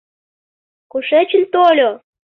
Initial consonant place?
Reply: velar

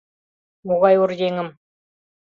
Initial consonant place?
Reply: labial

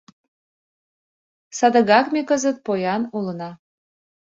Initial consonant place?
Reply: alveolar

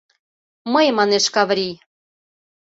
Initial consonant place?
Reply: labial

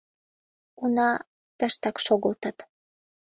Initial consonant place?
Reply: alveolar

